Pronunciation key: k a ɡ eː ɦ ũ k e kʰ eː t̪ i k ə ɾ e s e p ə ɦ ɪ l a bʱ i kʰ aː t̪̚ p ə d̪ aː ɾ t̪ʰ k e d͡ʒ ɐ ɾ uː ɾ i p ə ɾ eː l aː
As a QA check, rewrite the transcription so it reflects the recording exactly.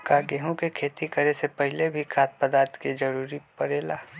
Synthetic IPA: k a ɡ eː ɦ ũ k e kʰ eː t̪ i k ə ɾ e s e p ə ɦ ɪ l e bʱ i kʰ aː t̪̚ p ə d̪ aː ɾ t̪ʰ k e d͡ʒ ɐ ɾ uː ɾ i p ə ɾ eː l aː